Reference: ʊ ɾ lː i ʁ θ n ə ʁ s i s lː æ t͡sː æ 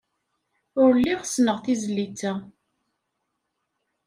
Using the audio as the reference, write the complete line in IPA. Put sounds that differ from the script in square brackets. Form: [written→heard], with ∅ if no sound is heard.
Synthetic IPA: ʊ ɾ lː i ʁ [θ→s] n ə ʁ [s→θ] i [s→z] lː [æ→i] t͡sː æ